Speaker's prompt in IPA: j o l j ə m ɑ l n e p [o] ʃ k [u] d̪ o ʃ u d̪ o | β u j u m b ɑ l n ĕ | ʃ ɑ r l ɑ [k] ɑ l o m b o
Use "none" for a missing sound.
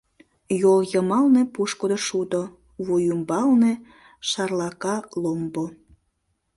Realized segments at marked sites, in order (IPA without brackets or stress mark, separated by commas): u, o, k